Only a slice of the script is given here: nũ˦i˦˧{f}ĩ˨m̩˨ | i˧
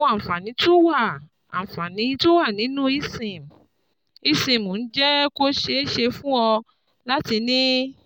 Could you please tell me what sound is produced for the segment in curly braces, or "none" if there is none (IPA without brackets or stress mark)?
s